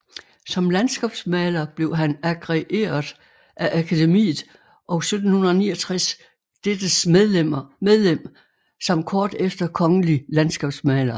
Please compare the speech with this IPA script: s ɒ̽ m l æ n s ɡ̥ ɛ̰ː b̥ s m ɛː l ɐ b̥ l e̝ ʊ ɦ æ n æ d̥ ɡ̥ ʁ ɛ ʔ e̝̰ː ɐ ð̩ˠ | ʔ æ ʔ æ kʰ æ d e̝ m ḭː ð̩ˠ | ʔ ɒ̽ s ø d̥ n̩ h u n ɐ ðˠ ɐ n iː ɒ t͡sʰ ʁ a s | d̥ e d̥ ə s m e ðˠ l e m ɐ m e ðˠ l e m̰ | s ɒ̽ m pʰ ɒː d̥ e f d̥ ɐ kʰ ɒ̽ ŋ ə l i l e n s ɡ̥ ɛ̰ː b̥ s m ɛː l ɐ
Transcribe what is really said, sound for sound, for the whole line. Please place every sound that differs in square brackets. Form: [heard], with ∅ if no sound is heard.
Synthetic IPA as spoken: s ɒ̽ m l æ n s ɡ̥ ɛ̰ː b̥ s m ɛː l ɐ b̥ l e̝ ʊ ɦ æ n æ [∅] ɡ̥ ʁ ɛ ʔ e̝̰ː ɐ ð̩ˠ | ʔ æ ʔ æ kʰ æ d e̝ m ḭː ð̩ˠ | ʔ ɒ̽ s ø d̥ n̩ h u n ɐ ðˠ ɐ n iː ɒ t͡sʰ ʁ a s | d̥ e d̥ ə s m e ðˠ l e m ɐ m e ðˠ l e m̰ | s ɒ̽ m [kʰ] ɒː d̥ e f d̥ ɐ kʰ ɒ̽ ŋ ə l i l [æ] n s ɡ̥ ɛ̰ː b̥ s m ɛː l ɐ